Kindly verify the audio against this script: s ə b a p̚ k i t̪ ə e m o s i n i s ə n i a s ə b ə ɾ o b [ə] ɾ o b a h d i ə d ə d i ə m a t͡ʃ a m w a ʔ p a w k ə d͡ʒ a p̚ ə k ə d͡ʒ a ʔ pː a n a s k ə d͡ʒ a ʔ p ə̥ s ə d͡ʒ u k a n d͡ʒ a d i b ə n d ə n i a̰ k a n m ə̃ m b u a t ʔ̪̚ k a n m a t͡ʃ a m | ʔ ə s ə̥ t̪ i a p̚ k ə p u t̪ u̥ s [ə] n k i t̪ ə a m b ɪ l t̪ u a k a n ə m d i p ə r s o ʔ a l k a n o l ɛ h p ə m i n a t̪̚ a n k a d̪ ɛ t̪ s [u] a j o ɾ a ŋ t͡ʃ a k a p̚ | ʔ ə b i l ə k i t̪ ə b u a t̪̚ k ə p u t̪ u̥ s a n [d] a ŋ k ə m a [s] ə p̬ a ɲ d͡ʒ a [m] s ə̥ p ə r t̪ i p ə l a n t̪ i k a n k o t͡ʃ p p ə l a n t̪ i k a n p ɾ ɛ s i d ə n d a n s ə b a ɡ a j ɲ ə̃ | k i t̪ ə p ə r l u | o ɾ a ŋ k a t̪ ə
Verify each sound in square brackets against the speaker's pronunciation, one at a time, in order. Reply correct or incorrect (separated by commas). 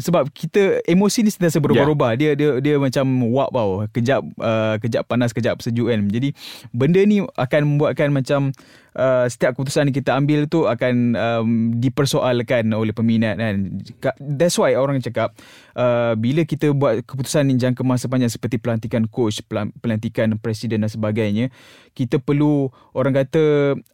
incorrect, incorrect, incorrect, incorrect, correct, incorrect